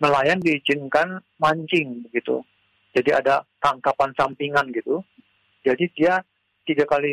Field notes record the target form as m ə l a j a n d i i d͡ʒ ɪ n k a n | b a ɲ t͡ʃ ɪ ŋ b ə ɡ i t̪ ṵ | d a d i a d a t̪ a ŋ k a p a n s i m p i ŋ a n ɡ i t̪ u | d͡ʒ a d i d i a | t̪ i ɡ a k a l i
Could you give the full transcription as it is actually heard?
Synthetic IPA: m ə l a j a n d i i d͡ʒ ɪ n k a n | m a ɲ t͡ʃ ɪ ŋ b ə ɡ i t̪ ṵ | d͡ʒ a d i a d a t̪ a ŋ k a p a n s a m p i ŋ a n ɡ i t̪ u | d͡ʒ a d i d i a | t̪ i ɡ a k a l i